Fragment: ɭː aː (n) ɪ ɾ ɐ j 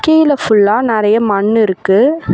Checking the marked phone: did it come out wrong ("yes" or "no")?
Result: no